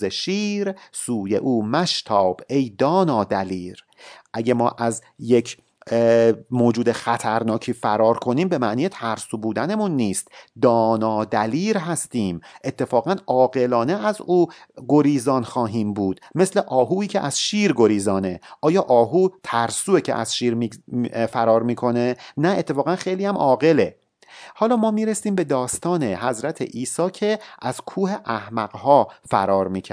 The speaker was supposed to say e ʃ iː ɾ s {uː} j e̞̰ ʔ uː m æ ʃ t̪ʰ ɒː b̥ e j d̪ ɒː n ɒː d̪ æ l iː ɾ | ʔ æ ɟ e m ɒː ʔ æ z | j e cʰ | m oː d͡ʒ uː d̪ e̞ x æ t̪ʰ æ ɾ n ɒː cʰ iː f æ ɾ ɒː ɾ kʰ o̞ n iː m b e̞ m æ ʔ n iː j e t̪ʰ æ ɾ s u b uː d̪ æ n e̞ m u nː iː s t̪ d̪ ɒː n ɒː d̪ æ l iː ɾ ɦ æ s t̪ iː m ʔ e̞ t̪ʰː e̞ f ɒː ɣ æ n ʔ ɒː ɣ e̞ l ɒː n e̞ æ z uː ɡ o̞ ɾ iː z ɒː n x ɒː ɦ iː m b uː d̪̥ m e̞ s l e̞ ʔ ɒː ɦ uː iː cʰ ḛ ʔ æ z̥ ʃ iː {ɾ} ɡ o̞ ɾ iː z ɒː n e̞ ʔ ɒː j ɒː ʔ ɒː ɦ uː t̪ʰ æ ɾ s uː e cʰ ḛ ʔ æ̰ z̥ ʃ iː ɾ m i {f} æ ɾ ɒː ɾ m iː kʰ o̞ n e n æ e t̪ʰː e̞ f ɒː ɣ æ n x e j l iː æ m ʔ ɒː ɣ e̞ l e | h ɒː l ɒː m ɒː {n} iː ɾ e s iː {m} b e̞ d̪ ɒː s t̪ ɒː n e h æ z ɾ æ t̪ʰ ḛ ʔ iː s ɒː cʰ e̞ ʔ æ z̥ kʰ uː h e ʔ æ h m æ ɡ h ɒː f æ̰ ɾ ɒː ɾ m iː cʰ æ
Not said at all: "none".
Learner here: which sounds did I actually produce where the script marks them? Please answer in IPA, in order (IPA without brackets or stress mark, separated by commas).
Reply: uː, ɾ, f, m, m